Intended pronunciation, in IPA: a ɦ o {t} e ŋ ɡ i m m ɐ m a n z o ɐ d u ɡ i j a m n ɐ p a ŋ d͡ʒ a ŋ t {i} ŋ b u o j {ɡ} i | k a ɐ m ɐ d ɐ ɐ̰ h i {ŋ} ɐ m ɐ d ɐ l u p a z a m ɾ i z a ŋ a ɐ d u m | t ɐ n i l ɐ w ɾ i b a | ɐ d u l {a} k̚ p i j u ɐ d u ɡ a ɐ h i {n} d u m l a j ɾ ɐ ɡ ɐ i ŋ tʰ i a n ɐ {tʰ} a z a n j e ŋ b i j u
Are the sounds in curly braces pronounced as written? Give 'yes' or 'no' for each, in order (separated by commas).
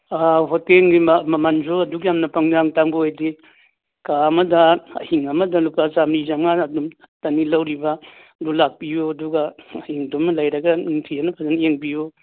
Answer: yes, no, no, yes, yes, no, no